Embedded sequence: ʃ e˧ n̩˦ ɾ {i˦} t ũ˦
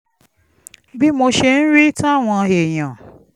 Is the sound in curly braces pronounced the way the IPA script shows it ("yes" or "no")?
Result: yes